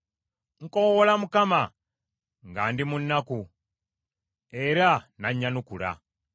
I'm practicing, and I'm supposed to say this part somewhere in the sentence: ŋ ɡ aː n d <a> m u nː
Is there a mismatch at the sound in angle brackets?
yes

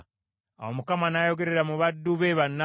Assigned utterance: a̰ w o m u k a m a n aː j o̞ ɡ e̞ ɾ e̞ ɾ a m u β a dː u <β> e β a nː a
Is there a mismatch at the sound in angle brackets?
no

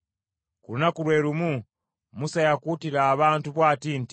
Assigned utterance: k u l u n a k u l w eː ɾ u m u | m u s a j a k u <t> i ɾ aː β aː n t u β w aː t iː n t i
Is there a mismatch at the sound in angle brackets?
no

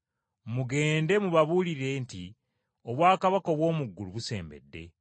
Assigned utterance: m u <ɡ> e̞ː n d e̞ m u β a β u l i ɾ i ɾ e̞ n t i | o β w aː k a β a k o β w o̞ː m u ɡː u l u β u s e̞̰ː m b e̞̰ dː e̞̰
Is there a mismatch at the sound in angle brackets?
no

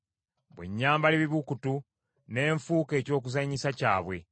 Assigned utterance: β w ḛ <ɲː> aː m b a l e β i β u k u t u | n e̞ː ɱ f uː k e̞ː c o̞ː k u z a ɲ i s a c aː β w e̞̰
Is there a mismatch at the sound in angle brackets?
no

